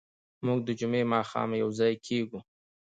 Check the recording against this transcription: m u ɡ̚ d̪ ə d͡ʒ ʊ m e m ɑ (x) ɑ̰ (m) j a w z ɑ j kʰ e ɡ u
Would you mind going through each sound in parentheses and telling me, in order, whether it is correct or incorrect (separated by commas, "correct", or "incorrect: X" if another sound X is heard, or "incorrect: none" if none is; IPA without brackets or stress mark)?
correct, correct